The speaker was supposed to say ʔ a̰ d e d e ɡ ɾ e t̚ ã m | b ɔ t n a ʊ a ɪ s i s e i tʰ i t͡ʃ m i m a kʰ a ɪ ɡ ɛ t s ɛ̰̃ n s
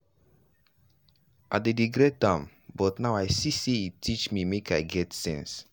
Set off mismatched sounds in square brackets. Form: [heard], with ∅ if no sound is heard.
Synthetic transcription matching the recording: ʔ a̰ d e d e ɡ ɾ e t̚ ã m | b ɔ t n a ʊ a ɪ s i s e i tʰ i t͡ʃ m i m [e] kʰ a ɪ ɡ ɛ t s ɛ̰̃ n s